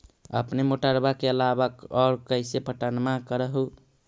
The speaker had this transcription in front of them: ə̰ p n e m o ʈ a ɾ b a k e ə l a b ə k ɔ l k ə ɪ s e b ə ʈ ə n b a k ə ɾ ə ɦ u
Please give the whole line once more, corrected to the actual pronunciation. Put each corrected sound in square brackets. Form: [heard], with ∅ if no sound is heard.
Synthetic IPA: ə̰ p n e m o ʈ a ɾ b a k e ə l a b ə k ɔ [ɾ] k ə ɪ s e [p] ə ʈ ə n [m] a k ə ɾ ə ɦ u